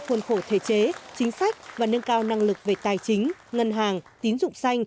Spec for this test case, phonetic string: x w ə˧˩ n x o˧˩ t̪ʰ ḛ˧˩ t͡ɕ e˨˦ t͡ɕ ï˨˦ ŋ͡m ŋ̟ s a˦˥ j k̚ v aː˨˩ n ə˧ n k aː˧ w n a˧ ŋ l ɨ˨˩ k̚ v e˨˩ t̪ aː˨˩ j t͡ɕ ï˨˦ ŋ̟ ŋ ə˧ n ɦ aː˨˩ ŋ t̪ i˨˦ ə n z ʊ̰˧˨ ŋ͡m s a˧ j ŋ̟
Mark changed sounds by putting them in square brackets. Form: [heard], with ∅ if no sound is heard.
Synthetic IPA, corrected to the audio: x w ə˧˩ n x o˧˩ t̪ʰ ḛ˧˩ t͡ɕ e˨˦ t͡ɕ ï˨˦ [∅] ŋ̟ s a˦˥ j k̚ v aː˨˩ n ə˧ n k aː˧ w n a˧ ŋ l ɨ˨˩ k̚ v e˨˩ t̪ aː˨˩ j t͡ɕ ï˨˦ ŋ̟ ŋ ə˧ n ɦ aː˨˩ ŋ t̪ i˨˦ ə n z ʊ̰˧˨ ŋ͡m s a˧ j ŋ̟